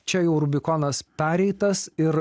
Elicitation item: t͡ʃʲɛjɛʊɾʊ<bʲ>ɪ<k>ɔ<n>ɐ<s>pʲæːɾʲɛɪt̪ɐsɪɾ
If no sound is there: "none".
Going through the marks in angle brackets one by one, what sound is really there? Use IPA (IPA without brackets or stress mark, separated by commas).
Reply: bʲ, k, n, s